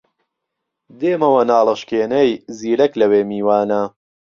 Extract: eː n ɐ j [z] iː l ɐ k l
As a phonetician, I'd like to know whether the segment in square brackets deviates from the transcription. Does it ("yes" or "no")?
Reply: no